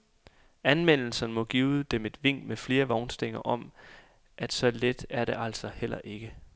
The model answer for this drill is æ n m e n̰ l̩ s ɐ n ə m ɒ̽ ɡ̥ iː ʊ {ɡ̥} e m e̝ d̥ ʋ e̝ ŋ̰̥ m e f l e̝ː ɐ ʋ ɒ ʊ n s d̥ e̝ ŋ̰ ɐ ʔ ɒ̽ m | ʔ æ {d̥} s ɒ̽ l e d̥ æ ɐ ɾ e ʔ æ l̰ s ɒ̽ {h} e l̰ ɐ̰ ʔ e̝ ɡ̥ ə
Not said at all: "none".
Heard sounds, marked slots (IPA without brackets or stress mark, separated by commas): d̥, d̥, h